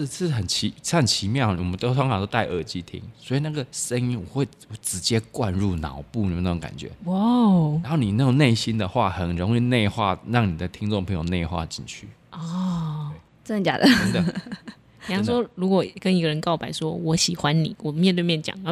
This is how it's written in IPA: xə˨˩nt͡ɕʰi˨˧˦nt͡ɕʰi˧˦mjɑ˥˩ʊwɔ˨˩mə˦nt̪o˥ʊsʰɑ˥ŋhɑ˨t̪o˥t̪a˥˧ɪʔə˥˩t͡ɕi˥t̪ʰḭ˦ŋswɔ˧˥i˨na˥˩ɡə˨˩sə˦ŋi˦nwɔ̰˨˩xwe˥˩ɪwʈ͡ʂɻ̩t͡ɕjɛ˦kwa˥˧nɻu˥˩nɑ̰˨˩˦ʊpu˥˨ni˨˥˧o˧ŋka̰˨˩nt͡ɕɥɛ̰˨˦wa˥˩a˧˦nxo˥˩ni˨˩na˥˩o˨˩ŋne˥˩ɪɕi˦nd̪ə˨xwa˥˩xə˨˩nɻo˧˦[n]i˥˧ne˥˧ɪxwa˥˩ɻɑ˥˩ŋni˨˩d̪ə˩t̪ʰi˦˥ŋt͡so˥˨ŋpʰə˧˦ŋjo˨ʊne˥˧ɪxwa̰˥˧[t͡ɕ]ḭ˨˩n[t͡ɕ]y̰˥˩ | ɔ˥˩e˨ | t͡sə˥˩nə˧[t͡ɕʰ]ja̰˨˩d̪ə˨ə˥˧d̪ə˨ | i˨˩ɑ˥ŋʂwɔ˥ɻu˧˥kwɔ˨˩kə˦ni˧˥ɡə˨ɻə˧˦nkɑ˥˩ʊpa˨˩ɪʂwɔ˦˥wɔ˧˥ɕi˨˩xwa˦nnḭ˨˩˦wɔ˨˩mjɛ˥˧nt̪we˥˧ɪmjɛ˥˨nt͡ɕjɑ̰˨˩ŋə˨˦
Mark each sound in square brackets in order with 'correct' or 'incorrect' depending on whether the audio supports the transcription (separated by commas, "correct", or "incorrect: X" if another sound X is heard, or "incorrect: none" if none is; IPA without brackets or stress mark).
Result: incorrect: ŋ, correct, incorrect: t͡ɕʰ, incorrect: t͡ɕ